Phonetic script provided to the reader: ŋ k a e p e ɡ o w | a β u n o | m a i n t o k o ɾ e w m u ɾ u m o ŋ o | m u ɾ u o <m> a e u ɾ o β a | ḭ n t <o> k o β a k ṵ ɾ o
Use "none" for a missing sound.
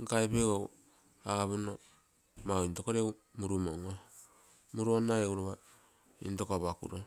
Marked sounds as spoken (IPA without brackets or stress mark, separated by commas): n, o